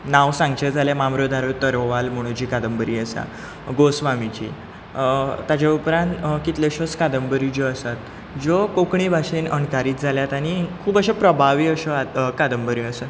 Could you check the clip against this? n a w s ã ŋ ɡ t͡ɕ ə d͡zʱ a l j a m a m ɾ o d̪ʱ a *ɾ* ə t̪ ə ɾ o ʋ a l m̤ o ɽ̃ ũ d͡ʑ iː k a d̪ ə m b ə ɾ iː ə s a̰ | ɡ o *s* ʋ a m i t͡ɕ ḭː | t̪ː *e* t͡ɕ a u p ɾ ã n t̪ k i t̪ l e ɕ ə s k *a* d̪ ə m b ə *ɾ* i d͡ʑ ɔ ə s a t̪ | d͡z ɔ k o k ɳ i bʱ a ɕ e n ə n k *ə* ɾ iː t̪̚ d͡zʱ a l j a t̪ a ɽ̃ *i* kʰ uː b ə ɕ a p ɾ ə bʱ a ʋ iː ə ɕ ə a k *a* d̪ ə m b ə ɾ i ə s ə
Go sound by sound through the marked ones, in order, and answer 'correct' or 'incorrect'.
correct, correct, incorrect: a, correct, correct, incorrect: a, correct, correct

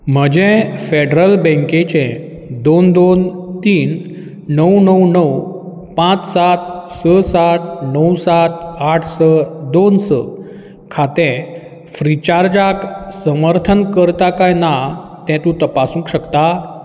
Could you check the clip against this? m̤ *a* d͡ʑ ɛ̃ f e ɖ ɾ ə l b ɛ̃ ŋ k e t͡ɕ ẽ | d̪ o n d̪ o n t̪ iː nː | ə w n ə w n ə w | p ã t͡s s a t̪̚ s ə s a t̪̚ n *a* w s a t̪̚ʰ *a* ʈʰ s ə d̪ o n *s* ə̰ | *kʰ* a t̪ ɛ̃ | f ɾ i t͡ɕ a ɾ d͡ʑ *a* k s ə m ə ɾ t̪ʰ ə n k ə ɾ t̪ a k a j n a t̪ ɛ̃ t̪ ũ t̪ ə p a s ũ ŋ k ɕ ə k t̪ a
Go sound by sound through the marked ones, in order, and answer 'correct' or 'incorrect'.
incorrect: ə, incorrect: ə, correct, correct, correct, correct

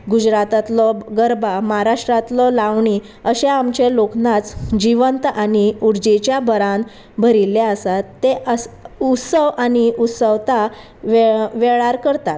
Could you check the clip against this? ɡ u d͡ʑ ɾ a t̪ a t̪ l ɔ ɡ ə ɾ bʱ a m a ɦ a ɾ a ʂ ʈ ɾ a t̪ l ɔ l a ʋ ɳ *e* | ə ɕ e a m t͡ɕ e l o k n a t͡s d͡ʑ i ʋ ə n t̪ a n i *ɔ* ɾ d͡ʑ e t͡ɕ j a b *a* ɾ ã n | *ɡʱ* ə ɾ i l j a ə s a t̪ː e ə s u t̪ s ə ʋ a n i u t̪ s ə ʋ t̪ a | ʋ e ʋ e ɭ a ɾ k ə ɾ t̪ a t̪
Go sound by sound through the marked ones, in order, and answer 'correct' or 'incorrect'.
incorrect: i, incorrect: u, incorrect: ə, incorrect: bʱ

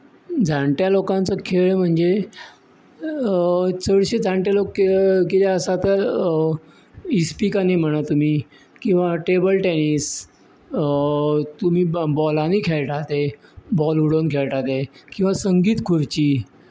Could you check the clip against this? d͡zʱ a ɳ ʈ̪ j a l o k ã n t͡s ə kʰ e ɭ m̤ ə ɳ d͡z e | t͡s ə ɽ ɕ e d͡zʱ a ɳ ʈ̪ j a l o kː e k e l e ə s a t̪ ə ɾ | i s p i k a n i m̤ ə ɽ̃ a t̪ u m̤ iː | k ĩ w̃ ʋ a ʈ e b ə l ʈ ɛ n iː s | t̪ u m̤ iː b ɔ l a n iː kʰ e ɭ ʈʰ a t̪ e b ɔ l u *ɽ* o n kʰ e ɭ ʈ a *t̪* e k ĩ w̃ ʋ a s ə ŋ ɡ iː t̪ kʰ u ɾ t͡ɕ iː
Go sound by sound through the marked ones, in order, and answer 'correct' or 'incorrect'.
correct, correct

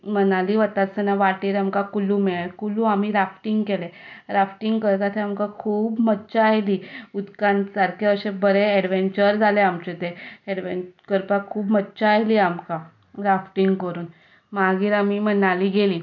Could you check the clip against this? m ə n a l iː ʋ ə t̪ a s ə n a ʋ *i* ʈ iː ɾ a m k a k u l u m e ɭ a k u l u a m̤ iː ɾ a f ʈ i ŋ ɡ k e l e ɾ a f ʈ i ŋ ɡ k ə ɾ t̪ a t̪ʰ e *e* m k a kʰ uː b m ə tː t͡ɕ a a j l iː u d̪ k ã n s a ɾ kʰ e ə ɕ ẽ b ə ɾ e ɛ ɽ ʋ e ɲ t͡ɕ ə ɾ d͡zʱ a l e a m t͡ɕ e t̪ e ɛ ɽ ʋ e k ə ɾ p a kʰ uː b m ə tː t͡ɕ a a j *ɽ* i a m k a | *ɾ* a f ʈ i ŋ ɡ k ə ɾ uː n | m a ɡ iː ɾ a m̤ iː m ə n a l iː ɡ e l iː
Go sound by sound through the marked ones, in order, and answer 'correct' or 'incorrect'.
incorrect: a, incorrect: a, incorrect: l, correct

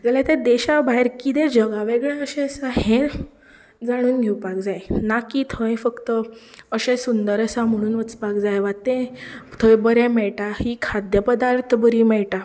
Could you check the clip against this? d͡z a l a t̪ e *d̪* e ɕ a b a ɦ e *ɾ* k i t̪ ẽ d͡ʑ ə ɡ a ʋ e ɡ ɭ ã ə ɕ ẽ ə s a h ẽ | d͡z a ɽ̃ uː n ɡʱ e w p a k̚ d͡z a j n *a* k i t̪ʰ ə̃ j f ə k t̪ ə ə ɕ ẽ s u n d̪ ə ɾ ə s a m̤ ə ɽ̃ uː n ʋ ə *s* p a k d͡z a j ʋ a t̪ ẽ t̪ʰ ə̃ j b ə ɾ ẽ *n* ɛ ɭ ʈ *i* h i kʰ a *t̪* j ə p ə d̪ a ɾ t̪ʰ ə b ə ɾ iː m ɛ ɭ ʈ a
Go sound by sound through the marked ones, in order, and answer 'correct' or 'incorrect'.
correct, correct, correct, incorrect: t͡s, incorrect: m, incorrect: a, incorrect: d̪

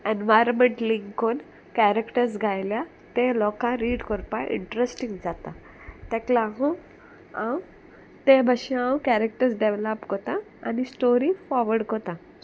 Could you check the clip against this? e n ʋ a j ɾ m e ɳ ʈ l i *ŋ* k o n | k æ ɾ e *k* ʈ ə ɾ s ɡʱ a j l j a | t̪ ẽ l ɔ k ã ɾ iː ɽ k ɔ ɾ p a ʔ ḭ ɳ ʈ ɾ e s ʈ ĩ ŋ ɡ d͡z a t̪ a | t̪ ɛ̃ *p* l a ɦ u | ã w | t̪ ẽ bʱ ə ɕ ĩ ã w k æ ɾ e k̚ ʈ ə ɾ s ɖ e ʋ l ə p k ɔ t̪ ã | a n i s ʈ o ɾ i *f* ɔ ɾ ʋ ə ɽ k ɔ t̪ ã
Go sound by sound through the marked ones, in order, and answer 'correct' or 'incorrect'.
correct, correct, incorrect: k, correct

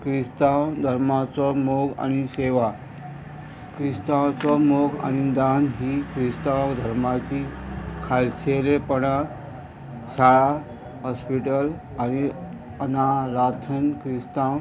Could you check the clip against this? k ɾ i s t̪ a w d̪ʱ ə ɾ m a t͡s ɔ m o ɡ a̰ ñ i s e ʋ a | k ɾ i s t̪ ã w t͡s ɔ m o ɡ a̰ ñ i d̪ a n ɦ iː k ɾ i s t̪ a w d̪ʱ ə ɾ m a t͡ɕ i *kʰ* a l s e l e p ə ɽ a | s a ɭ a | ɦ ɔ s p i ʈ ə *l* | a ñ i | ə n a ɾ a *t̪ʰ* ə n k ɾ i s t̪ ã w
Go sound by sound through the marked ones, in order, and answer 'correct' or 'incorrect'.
correct, correct, correct

